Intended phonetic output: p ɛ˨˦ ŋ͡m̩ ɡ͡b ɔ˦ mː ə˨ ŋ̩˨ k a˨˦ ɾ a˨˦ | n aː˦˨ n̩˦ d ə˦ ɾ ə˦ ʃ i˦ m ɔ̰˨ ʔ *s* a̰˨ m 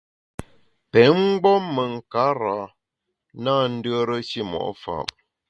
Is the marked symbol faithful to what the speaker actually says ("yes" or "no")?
no